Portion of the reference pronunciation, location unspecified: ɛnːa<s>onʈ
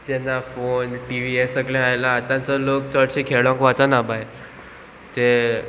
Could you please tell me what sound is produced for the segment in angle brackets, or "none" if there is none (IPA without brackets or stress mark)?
f